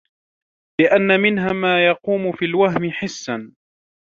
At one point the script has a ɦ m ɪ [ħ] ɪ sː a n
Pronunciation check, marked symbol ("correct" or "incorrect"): correct